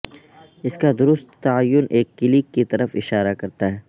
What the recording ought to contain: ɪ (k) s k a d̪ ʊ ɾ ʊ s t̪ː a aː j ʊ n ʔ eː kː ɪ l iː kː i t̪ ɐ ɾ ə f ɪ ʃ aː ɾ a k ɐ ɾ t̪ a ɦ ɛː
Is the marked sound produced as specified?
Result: no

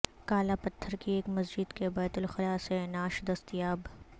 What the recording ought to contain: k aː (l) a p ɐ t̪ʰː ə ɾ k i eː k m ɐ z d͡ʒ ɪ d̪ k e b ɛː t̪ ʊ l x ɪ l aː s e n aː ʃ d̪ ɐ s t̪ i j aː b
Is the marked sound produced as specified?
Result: yes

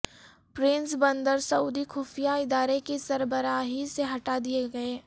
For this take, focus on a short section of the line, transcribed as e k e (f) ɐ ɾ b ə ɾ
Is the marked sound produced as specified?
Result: no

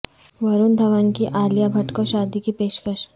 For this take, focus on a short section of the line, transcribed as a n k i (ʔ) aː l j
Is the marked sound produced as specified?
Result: yes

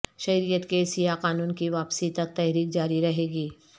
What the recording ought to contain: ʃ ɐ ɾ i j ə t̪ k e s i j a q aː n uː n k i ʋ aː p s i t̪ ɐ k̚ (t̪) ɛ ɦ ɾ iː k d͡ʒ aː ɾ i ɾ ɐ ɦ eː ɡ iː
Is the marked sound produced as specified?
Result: yes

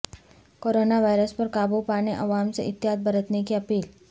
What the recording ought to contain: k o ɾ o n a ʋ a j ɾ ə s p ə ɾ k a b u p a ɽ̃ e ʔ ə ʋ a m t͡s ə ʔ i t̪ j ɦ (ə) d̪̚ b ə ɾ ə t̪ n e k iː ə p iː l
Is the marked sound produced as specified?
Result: no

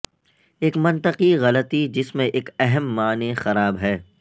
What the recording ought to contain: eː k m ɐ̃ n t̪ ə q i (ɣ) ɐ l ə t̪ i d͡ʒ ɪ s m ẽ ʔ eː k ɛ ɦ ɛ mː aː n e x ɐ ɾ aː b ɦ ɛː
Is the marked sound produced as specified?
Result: yes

